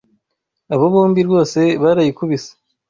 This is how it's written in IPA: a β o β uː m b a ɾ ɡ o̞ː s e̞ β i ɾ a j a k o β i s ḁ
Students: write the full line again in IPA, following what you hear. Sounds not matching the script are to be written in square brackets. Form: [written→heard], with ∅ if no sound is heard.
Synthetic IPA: a β o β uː m b [a→i] ɾ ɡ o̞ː s e̞ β [i→a] ɾ a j [a→i] k [o→u] β i s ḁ